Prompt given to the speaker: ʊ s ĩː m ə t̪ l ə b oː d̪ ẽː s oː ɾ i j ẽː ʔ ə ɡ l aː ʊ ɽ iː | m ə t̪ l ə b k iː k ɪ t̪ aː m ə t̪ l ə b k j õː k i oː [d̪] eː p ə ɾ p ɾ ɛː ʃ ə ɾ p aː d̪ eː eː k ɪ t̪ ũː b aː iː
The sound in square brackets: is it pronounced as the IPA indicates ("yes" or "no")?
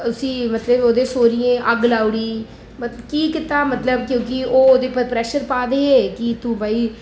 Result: yes